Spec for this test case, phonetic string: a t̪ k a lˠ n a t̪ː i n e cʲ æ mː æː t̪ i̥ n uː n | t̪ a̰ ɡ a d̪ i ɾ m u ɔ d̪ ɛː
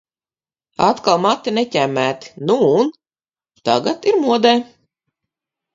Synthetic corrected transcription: a t̪ k a lˠ m a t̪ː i n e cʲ æ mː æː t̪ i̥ n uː n | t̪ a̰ ɡ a t̪ i ɾ m u ɔ d̪ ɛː